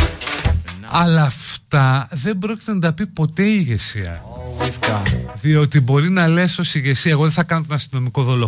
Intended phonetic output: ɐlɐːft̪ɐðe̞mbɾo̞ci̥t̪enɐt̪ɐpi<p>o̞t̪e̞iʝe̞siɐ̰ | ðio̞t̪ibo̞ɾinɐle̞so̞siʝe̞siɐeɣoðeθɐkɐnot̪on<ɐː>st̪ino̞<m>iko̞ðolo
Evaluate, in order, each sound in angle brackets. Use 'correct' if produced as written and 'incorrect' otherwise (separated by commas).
correct, incorrect, correct